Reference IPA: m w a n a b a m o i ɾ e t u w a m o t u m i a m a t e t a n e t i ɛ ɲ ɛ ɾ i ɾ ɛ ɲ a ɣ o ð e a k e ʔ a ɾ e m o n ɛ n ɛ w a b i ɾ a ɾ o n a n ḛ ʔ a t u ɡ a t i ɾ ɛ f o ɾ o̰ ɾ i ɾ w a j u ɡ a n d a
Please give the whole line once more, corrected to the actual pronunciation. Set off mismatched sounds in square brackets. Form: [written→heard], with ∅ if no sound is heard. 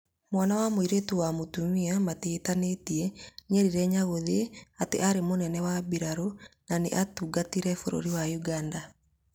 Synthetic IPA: m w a n a [b→w] a m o i ɾ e t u w a m o t u m i a m a t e t a n e t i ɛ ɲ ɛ ɾ i ɾ ɛ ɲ a ɣ o ð e a [k→t] e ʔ a ɾ e m o n ɛ n ɛ w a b i ɾ a ɾ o n a n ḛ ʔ a t u ɡ a t i ɾ ɛ f o ɾ o̰ ɾ i [ɾ→∅] w a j u ɡ a n d a